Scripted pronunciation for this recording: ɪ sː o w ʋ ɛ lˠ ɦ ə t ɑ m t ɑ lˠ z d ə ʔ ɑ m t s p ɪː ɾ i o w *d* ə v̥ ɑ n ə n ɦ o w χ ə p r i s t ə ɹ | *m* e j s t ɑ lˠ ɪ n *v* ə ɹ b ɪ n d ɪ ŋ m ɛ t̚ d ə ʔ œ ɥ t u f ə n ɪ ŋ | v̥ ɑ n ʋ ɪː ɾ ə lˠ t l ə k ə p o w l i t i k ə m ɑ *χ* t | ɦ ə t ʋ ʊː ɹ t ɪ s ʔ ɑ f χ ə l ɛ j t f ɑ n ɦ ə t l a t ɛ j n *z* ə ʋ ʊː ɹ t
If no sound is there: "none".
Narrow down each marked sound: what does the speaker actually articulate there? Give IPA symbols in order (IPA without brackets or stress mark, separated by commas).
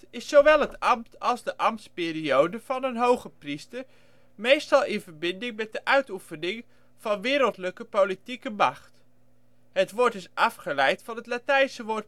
d, m, v, χ, s